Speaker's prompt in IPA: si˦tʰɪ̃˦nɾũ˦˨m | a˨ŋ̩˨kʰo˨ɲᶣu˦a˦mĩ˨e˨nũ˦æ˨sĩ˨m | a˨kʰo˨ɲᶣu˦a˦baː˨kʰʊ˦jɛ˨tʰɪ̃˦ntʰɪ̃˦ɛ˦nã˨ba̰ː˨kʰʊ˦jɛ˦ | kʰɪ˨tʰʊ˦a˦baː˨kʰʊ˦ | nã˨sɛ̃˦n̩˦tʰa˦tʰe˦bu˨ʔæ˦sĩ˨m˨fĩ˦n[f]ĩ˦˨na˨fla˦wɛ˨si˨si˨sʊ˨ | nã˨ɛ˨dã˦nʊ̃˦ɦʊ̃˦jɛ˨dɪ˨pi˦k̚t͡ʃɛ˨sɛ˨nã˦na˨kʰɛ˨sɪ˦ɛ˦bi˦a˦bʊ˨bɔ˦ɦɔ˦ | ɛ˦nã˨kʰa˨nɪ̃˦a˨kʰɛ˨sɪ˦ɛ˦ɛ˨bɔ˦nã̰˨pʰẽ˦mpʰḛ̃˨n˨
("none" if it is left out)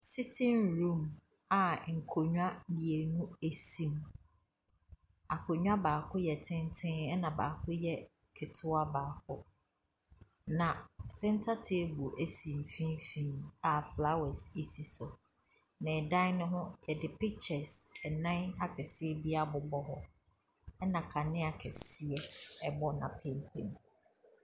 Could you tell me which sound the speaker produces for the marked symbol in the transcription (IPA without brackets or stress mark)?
f